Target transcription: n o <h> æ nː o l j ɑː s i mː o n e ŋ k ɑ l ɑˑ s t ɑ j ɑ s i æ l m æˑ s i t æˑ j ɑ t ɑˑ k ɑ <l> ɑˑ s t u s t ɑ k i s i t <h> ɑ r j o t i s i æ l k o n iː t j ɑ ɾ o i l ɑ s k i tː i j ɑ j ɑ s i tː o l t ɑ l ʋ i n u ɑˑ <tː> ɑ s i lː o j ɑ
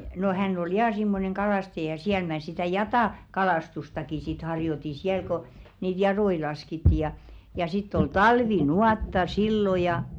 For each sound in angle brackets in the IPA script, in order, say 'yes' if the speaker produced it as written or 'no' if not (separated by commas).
yes, yes, yes, yes